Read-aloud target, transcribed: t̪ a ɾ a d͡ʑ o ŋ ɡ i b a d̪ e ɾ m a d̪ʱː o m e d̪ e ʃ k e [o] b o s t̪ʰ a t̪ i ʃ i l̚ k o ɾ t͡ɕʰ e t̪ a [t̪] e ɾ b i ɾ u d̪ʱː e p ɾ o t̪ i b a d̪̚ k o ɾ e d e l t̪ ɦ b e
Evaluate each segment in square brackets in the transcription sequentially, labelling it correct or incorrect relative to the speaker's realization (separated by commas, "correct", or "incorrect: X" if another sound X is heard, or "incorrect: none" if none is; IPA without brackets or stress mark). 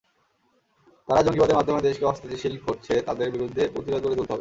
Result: incorrect: ɔ, incorrect: d̪